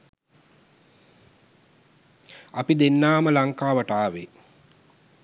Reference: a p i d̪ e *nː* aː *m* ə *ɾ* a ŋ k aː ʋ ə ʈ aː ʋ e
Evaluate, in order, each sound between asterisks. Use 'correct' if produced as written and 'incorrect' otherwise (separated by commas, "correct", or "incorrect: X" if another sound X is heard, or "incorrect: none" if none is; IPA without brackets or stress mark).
correct, correct, incorrect: l